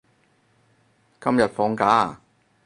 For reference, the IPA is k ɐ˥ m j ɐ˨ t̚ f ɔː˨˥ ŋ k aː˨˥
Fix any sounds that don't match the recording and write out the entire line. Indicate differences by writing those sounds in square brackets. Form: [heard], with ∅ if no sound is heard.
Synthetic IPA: k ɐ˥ m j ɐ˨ t̚ f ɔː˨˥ ŋ k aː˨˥